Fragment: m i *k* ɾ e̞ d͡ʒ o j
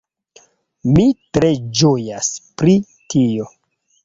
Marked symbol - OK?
no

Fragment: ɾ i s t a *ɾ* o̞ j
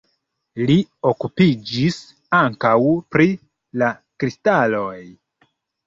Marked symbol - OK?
no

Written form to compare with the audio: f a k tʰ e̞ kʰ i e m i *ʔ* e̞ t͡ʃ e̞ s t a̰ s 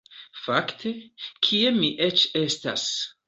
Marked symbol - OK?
yes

